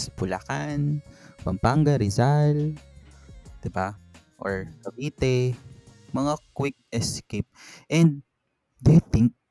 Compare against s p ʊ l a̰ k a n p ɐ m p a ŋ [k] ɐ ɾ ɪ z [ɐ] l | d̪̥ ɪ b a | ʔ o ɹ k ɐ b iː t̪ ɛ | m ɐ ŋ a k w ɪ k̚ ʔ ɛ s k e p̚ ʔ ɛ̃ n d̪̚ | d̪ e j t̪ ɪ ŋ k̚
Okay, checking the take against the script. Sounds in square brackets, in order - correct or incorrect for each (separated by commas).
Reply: incorrect, incorrect